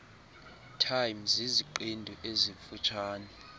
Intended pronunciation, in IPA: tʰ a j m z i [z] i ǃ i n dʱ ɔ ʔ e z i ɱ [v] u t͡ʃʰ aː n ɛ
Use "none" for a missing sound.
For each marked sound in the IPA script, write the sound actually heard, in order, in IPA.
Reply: z, f

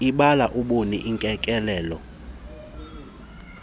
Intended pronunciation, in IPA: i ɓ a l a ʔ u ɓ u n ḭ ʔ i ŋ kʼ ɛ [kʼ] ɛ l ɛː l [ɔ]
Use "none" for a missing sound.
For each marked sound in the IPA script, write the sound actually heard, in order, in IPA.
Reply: kʼ, ɔ

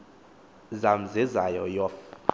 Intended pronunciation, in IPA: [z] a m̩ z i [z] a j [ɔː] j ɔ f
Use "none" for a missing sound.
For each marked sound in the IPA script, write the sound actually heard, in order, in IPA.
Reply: z, z, ɔ

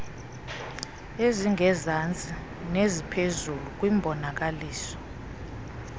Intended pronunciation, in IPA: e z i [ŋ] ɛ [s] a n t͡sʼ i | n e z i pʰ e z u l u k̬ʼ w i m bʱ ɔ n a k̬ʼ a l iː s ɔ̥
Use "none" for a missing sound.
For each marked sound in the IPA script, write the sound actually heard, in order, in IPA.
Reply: ŋ, z

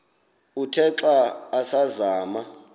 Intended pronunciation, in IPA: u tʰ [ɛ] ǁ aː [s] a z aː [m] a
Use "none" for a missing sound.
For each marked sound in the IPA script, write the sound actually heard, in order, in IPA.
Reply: ɛ, s, m

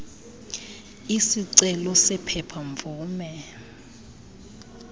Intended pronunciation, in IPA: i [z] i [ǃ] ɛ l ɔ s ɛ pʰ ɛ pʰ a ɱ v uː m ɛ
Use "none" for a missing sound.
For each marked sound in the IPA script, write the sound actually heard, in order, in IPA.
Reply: s, ǀ

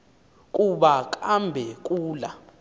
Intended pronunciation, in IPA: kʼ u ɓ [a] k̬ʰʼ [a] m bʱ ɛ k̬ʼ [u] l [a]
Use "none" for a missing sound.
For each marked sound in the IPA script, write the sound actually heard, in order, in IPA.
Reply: a, a, uː, a

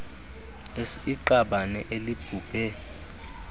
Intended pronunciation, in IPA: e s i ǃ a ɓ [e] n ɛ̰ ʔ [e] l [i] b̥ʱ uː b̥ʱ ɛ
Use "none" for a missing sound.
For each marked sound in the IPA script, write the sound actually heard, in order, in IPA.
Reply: a, e, i

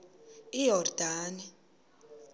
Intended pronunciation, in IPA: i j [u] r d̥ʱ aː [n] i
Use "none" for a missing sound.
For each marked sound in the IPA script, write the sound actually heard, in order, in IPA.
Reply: ɔ, n

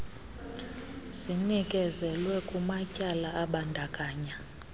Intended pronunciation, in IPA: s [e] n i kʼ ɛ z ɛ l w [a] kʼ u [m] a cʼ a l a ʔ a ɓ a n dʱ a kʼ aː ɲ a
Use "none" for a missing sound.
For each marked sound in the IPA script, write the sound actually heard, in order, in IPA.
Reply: i, ɛ, m

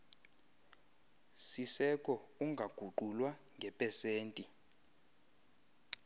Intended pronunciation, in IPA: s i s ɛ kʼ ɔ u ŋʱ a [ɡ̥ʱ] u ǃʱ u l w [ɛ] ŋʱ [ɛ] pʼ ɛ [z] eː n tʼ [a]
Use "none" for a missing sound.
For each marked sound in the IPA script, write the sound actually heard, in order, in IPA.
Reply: ɡ̥ʱ, a, ɛ, s, i

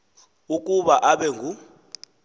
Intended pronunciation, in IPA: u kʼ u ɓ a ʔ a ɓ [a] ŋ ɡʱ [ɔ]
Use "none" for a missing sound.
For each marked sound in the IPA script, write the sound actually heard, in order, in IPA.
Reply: ɛ, u

